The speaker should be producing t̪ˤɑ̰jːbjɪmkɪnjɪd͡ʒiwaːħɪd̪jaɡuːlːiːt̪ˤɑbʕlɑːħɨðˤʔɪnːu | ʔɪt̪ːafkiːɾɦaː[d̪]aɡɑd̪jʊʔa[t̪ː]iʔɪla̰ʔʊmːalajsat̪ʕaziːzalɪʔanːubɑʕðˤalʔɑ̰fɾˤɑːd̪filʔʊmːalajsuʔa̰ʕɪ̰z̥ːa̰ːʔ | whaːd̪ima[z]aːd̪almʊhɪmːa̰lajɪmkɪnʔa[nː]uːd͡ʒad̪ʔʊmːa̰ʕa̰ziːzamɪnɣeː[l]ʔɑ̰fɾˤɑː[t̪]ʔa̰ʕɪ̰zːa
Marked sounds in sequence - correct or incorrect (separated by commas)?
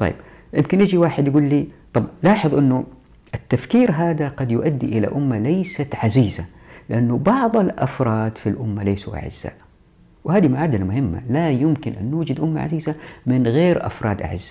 correct, incorrect, incorrect, correct, incorrect, incorrect